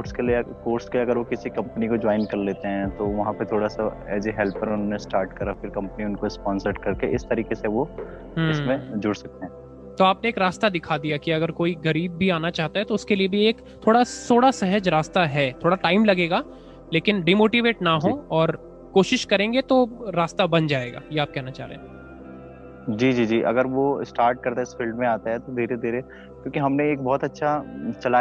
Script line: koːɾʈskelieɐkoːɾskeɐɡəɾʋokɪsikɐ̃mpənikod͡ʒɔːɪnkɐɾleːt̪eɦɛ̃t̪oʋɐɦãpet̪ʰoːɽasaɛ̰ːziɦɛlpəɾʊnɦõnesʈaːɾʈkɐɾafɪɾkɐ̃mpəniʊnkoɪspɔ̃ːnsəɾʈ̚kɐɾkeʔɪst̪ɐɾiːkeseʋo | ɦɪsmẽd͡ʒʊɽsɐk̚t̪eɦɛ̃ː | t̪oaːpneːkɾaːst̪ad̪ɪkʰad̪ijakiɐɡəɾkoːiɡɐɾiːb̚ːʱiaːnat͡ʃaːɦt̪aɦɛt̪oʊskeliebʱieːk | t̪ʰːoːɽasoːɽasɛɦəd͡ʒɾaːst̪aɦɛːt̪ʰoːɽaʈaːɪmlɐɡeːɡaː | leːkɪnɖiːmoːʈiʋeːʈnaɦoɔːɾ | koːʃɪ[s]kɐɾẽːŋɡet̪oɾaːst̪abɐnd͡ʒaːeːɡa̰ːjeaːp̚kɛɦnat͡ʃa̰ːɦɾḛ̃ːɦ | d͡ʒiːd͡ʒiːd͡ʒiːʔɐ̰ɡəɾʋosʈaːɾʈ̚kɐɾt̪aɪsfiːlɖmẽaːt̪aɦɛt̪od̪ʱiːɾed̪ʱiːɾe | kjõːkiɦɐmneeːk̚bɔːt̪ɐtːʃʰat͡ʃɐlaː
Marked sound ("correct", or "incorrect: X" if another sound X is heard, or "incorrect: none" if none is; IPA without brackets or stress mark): incorrect: ʃ